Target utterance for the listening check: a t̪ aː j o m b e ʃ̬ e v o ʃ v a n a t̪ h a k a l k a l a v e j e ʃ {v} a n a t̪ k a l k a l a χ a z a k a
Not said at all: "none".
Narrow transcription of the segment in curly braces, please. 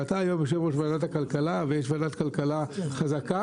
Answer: v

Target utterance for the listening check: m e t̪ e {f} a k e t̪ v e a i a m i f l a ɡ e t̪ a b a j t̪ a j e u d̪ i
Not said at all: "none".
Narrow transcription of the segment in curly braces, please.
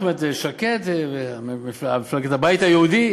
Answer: ʃ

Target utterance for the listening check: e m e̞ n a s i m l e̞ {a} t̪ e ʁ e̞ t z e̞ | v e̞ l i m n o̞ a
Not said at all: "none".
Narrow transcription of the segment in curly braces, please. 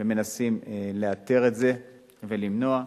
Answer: a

